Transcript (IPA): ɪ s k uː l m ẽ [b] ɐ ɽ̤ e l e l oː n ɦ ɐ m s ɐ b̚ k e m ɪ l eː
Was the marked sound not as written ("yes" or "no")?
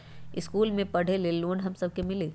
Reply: yes